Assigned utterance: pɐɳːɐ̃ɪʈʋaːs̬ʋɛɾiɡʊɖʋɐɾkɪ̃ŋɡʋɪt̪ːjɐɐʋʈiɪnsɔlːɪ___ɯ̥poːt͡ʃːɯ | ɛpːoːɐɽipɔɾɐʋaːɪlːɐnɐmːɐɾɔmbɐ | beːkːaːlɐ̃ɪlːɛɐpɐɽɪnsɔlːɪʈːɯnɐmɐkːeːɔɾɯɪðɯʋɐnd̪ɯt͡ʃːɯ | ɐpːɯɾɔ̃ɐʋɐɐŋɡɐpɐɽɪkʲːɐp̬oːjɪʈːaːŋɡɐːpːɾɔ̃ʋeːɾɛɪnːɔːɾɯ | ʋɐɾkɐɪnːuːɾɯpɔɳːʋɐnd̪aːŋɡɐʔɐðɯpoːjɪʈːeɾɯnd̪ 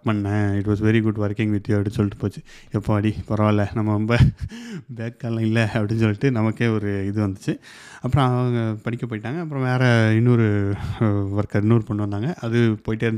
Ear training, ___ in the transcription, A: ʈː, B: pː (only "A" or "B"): A